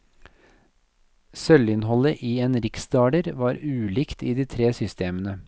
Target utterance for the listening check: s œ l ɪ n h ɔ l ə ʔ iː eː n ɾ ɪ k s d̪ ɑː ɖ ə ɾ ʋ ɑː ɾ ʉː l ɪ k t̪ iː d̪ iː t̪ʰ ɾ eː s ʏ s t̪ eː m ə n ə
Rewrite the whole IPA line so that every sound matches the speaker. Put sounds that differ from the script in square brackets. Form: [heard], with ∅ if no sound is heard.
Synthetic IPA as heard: s œ l ɪ n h ɔ l ə ʔ iː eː n ɾ ɪ k s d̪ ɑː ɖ ə ɾ ʋ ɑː ɾ ʉː l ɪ k t̪ iː d̪ iː t̪ʰ ɾ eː s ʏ s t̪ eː m ə n ə